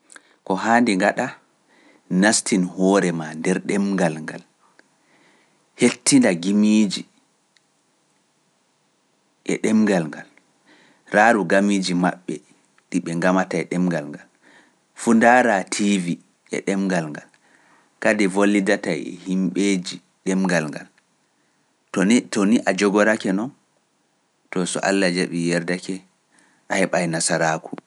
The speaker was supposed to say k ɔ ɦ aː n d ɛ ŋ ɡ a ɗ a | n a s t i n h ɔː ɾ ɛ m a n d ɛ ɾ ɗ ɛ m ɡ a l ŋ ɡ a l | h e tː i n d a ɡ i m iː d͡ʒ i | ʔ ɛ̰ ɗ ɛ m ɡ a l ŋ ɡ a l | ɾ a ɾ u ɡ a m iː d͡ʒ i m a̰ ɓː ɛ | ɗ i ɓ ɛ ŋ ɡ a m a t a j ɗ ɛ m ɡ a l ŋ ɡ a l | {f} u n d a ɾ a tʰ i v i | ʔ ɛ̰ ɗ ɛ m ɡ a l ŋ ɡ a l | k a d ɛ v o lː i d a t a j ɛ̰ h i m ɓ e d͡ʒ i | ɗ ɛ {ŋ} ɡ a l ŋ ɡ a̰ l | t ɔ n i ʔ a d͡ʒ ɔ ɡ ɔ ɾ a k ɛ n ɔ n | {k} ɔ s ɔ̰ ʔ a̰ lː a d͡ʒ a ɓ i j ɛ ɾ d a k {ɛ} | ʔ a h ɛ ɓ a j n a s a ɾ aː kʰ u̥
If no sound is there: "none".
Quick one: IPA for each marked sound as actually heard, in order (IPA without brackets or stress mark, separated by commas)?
f, m, t, ɛ